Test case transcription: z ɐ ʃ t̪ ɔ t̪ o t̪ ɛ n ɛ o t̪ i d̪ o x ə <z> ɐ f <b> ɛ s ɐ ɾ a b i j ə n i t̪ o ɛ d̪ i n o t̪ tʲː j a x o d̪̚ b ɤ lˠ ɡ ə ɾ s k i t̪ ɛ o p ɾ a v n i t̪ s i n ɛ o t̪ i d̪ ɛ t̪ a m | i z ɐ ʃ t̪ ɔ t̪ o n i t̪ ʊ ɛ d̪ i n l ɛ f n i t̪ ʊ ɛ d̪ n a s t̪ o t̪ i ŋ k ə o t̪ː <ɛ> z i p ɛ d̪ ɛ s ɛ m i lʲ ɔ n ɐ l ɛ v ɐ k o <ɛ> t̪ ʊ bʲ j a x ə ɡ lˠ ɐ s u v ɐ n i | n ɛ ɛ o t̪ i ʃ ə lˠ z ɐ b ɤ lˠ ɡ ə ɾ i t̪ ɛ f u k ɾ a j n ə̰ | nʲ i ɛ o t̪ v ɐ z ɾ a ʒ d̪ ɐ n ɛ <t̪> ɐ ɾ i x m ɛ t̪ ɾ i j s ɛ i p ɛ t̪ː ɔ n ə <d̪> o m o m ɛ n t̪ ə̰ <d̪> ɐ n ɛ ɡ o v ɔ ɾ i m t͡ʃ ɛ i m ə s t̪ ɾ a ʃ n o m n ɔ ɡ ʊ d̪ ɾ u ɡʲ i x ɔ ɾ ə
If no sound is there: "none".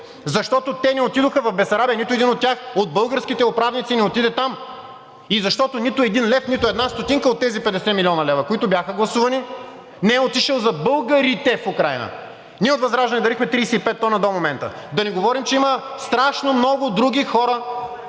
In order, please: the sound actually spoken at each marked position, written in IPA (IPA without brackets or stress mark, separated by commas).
v, b, ɛ, i, d̪, d̪, d̪